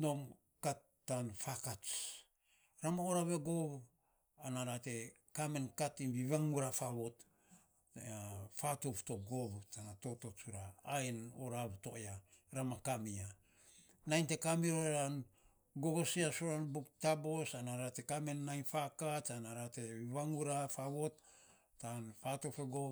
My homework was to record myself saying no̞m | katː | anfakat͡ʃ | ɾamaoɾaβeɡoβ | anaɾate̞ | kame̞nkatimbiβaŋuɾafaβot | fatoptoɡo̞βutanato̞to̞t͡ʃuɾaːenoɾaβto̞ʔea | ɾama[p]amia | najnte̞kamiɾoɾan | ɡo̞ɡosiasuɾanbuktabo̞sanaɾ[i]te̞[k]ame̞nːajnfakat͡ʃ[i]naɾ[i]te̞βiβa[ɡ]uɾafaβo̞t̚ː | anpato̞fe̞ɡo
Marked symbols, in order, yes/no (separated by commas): no, no, yes, no, no, no